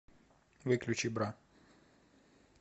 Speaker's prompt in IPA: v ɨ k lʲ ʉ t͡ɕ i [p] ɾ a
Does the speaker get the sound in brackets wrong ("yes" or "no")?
yes